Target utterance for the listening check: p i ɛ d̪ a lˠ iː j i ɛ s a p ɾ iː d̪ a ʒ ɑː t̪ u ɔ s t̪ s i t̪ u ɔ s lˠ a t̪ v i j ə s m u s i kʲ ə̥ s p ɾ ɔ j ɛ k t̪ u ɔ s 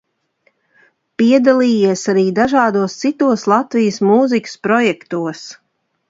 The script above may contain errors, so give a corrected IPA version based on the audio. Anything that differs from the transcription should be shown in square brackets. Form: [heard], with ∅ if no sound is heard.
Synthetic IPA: p i ɛ d̪ a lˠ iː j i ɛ s a [∅] ɾ iː d̪ a ʒ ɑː [d̪] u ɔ s t̪ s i t̪ u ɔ s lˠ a t̪ v i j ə s m u [z] i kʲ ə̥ s p ɾ ɔ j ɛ k t̪ u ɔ s